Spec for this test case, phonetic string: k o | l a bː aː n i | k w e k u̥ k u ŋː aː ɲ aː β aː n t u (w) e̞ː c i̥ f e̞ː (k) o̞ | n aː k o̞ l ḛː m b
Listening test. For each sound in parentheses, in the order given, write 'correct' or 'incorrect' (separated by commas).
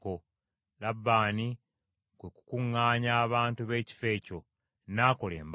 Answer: incorrect, incorrect